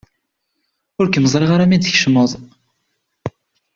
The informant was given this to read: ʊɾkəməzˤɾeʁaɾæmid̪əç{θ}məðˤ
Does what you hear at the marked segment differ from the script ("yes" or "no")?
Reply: yes